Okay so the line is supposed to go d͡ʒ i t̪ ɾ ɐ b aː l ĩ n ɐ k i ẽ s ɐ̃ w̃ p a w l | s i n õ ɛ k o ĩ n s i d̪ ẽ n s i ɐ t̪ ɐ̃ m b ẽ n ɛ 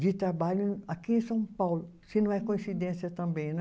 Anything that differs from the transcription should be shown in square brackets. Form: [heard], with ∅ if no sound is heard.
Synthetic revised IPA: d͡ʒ i t̪ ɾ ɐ b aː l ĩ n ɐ k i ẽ s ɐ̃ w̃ p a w l | s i n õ ɛ k o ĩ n s i d̪ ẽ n s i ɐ t̪ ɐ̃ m b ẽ n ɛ